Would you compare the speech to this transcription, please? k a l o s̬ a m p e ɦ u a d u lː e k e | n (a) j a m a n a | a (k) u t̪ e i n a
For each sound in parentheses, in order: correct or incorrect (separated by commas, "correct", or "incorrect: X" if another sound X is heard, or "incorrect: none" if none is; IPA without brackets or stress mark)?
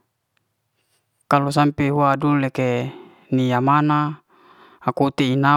incorrect: i, correct